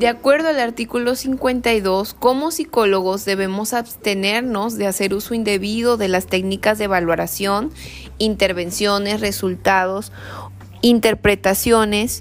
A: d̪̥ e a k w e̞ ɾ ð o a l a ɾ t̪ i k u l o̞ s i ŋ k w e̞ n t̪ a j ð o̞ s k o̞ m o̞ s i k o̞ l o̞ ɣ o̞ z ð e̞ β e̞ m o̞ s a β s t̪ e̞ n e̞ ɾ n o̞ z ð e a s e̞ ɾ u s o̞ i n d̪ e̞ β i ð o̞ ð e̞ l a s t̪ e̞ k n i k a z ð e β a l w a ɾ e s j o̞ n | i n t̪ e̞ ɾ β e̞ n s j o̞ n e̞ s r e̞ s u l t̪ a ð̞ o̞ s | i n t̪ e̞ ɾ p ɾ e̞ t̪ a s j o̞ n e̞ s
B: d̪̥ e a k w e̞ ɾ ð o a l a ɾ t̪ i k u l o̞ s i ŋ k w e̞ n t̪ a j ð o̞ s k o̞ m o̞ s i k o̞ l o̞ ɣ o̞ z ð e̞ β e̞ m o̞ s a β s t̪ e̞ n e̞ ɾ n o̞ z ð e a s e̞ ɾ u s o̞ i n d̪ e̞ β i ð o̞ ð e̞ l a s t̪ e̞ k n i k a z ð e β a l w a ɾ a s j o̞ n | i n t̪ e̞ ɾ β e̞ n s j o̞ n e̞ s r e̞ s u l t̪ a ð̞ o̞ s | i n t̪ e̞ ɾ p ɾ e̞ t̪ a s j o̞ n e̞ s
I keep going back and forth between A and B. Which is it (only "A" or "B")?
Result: B